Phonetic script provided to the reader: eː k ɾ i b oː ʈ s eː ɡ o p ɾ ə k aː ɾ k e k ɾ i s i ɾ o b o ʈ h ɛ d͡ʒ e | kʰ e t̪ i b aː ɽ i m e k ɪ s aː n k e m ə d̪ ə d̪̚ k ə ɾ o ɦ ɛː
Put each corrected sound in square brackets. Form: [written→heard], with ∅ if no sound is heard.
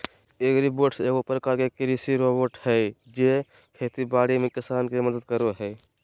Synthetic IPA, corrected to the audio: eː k ɾ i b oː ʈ s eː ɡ o p ɾ ə k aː ɾ k e k ɾ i s i ɾ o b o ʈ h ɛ d͡ʒ e | kʰ e t̪ i b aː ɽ i m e k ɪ s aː n k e m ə d̪ ə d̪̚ k ə ɾ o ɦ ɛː